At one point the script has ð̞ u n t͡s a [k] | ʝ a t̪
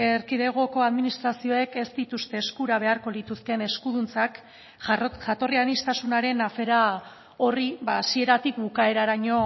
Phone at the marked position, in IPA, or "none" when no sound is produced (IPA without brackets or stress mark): k